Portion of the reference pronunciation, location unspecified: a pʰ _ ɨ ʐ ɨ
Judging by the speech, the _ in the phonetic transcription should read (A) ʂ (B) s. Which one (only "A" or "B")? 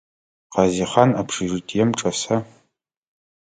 A